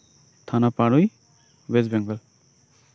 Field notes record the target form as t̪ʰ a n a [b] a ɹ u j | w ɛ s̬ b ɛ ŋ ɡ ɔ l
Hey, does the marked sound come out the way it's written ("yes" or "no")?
no